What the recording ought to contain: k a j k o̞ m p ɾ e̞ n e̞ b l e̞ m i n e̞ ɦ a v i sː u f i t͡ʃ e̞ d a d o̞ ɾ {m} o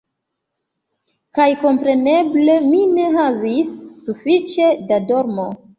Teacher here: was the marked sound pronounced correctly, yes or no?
yes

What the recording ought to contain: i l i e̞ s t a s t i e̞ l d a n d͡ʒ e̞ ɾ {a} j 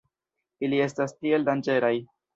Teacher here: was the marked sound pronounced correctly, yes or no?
yes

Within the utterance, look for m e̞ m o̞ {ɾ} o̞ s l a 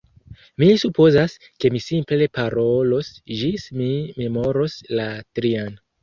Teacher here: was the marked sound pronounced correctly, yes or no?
yes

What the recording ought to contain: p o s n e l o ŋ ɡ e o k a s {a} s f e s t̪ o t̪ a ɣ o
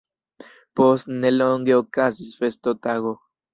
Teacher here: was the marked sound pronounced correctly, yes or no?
no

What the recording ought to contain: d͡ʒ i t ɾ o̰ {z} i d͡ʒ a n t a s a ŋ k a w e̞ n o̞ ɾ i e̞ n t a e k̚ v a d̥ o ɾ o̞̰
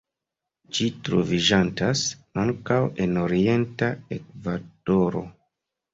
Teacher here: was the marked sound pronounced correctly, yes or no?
no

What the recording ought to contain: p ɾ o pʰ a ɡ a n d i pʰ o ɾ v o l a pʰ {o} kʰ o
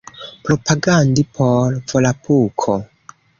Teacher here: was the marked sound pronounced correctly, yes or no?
no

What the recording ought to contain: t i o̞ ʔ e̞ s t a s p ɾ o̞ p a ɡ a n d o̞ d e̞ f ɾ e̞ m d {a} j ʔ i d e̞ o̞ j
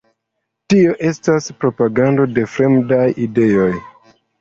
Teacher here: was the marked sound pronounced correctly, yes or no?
yes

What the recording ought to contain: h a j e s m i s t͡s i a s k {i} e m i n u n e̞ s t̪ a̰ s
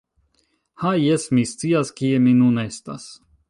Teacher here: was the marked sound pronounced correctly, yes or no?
yes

